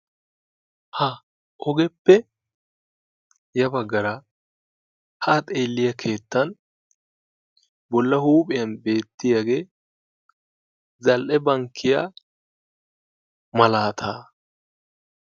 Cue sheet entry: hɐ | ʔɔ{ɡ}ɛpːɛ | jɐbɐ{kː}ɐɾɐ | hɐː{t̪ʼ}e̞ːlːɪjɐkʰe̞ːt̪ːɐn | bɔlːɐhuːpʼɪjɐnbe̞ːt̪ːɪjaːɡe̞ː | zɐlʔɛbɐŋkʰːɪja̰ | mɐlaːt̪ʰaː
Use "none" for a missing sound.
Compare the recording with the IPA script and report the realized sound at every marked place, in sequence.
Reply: ɡ, ɡː, t̪ʼ

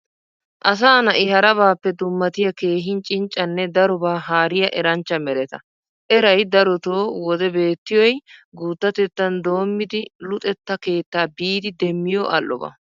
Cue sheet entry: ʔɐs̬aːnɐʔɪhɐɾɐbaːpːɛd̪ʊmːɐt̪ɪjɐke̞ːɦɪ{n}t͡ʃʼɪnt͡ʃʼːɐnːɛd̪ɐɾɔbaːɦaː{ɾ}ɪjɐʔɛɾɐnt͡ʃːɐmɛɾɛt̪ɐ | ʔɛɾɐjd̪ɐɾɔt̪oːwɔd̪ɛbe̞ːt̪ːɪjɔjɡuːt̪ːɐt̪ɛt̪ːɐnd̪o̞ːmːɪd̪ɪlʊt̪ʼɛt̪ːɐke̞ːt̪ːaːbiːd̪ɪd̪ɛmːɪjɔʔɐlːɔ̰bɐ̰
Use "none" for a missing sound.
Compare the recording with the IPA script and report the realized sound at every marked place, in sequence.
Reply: n, ɾ

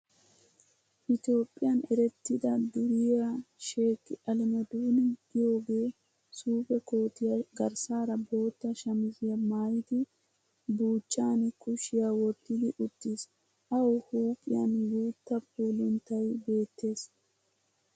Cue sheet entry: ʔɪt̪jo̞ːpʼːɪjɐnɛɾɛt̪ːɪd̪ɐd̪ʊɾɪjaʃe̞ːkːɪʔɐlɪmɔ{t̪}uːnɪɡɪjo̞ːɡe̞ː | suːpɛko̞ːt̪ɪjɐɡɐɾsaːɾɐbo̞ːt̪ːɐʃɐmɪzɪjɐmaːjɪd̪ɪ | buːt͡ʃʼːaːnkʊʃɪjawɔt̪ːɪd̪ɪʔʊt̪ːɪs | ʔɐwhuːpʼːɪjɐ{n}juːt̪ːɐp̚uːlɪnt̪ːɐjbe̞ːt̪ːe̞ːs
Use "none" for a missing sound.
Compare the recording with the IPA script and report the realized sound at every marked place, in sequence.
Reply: d̪, n

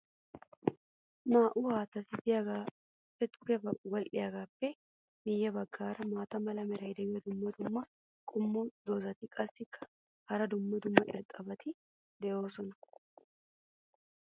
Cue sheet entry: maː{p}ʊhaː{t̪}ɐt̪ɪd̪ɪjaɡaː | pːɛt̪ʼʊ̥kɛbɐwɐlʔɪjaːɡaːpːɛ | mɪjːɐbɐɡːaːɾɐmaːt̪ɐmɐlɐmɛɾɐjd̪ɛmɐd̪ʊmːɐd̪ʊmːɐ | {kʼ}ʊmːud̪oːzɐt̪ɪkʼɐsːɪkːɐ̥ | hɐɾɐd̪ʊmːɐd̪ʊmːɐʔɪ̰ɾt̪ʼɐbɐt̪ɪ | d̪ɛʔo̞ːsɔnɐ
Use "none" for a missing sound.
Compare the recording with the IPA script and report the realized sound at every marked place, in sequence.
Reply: ʔ, t̪, kʼ

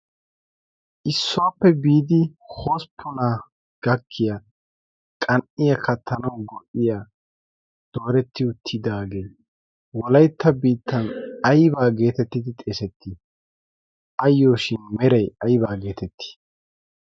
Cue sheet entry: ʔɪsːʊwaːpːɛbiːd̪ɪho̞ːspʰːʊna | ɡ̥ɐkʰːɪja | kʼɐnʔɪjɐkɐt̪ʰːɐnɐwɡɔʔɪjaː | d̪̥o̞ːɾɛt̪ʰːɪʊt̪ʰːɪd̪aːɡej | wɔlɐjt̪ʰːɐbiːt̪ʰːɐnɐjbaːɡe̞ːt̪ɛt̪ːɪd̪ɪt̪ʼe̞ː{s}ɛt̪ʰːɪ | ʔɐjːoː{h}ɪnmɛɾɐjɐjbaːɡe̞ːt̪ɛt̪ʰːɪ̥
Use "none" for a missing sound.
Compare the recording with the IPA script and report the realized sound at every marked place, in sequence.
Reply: s, ʃ

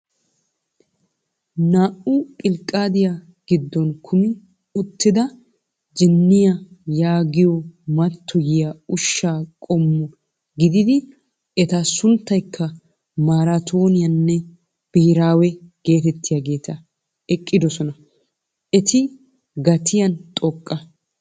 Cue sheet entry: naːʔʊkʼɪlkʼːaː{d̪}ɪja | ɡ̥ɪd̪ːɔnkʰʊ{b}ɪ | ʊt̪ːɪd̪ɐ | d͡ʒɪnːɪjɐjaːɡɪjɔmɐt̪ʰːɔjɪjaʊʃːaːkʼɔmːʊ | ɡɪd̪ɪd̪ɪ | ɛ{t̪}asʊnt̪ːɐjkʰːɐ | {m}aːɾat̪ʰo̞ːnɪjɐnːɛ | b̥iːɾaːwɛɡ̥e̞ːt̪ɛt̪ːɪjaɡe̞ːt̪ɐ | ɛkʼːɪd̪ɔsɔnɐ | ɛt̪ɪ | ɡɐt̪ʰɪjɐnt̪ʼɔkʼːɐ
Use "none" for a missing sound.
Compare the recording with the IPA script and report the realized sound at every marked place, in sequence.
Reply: d̪, m, t̪, m

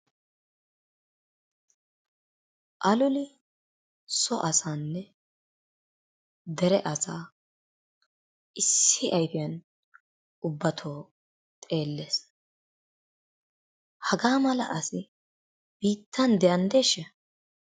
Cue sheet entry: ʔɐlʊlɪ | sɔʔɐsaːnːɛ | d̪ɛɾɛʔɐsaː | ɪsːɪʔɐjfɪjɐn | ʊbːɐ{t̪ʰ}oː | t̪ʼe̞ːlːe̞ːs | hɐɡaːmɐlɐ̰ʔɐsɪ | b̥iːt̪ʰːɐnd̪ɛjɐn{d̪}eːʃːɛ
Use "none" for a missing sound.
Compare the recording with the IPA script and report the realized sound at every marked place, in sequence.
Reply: t̪ʰ, d̪

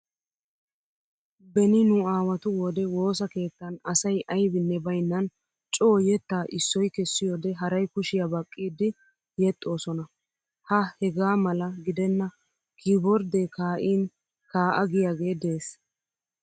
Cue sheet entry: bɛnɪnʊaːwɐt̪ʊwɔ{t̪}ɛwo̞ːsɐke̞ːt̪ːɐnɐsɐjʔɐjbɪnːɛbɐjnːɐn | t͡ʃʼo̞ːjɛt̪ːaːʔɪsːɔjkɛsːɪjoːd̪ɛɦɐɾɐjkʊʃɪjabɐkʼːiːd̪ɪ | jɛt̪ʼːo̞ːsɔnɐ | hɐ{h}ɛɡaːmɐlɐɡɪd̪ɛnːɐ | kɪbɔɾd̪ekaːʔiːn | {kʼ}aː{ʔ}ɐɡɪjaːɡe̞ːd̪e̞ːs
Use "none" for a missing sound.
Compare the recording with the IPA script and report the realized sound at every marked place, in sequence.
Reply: d̪, h, k, ʔ

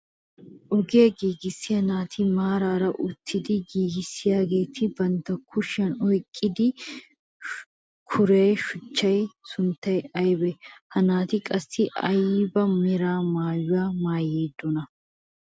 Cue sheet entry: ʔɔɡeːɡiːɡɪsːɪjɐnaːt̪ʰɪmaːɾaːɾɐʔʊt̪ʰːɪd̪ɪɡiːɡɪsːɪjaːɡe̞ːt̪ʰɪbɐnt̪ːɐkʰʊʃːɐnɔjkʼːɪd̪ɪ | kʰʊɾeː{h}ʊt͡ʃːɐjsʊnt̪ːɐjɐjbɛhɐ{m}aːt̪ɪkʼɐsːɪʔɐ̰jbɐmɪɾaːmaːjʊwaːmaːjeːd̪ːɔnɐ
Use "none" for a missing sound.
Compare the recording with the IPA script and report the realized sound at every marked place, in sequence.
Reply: ʃ, n

